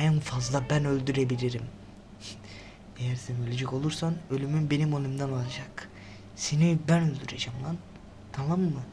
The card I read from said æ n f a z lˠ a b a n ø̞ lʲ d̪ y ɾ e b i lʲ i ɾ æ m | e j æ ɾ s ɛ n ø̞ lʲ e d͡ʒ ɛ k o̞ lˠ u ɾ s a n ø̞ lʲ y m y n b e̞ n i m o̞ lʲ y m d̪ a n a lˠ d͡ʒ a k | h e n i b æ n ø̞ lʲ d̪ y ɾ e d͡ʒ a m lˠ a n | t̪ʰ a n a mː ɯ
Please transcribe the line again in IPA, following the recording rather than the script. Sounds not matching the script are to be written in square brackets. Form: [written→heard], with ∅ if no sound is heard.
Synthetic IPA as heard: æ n f a z lˠ a b [a→æ] n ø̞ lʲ d̪ y ɾ e b i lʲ i ɾ [æ→i] m | e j æ ɾ s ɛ n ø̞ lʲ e d͡ʒ ɛ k o̞ lˠ u ɾ s a n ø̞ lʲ y m y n b e̞ n i m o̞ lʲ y m d̪ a n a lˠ d͡ʒ a k | [h→s] e n i b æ n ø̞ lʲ d̪ y ɾ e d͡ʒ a m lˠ a n | t̪ʰ a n a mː ɯ